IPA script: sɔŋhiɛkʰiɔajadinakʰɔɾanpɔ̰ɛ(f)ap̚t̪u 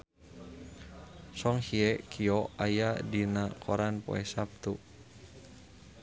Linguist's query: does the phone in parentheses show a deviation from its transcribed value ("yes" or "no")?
yes